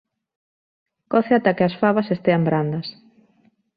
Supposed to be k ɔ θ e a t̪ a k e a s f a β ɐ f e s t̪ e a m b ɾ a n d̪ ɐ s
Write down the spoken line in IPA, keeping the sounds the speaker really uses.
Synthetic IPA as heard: k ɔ θ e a t̪ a k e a s f a β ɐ s e s t̪ e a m b ɾ a n d̪ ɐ s